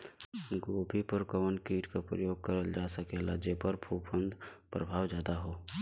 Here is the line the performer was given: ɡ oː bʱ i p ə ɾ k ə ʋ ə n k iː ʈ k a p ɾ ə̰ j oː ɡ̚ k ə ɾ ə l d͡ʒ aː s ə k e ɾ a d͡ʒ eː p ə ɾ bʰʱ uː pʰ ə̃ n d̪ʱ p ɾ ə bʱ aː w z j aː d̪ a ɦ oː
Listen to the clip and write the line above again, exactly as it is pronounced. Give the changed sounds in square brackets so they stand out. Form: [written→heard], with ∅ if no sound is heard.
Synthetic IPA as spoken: ɡ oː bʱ i p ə ɾ k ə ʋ ə n k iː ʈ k a p ɾ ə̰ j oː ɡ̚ k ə ɾ ə l d͡ʒ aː s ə k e [ɾ→l] a d͡ʒ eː p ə ɾ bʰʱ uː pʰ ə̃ n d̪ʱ p ɾ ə bʱ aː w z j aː d̪ a ɦ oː